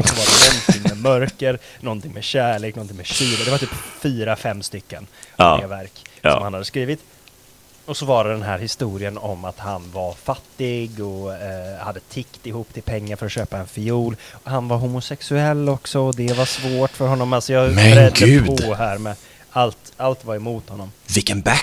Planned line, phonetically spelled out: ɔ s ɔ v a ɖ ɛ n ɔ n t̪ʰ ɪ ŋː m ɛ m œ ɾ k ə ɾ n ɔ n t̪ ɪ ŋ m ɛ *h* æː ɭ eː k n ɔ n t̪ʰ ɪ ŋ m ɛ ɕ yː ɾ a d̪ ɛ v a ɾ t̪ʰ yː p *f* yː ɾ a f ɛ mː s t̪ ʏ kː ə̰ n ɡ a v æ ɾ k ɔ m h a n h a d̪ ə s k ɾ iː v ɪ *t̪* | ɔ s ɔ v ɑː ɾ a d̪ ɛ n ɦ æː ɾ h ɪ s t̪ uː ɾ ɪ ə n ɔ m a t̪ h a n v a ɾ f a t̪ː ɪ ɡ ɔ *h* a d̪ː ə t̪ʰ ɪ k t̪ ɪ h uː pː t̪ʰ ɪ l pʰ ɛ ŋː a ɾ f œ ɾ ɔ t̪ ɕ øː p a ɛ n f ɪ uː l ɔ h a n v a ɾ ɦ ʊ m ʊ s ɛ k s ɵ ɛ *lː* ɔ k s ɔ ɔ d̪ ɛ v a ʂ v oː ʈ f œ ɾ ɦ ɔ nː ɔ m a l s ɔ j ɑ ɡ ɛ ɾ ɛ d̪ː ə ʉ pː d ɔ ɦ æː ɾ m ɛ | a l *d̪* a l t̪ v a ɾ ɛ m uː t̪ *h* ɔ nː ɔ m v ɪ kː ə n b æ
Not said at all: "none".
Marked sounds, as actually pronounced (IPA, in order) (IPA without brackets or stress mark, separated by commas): ɕ, f, t̪, h, lː, t̪, h